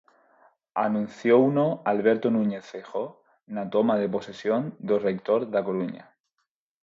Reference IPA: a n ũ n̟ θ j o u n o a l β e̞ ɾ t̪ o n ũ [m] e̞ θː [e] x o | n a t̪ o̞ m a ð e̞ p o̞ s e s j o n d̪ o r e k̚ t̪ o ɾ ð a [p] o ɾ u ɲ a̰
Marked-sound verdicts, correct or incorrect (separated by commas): incorrect, correct, incorrect